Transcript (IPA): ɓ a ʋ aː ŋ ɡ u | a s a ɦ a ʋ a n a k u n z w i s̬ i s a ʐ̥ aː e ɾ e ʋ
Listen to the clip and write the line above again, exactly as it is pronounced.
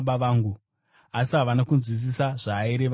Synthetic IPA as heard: ɓ a ʋ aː ŋ ɡ u | a s i ɦ a ʋ a n a k u n z w i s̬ i s a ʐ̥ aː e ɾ e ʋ